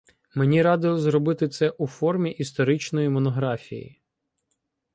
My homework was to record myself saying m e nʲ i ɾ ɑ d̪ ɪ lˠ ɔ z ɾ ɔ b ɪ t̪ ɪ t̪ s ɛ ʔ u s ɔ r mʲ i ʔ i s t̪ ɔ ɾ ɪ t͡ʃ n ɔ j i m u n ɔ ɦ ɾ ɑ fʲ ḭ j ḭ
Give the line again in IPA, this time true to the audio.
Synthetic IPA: m e nʲ i ɾ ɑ d̪ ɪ lˠ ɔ z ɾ ɔ b ɪ t̪ ɪ t̪ s ɛ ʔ u f ɔ r mʲ i ʔ i s t̪ ɔ ɾ ɪ t͡ʃ n ɔ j i m ɔ n ɔ ɦ ɾ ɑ fʲ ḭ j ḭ